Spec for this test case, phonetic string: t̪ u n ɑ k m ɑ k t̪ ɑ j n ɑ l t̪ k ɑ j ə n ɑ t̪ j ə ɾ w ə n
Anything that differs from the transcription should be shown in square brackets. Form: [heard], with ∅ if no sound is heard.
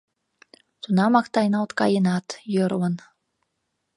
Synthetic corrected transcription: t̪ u n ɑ [∅] m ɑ k t̪ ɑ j n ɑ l t̪ k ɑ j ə n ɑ t̪ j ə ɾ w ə n